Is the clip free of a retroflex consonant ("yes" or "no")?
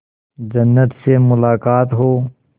yes